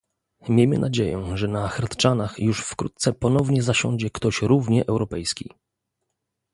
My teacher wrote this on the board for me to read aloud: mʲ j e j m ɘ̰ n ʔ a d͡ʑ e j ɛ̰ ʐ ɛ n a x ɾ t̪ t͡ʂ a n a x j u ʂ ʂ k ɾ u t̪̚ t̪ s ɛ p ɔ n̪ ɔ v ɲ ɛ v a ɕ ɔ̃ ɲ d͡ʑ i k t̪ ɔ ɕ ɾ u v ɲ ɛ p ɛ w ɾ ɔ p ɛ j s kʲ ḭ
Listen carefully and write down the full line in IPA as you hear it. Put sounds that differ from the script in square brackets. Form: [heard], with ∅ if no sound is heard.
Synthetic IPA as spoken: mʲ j e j m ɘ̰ n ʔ a d͡ʑ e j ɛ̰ ʐ ɛ n a x ɾ t̪ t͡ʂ a n a x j u ʂ [f] k ɾ u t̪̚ t̪ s ɛ p ɔ n̪ ɔ v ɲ ɛ [z] a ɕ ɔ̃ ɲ d͡ʑ [ɛ] k t̪ ɔ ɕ ɾ u v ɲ ɛ [ʔ] ɛ w ɾ ɔ p ɛ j s kʲ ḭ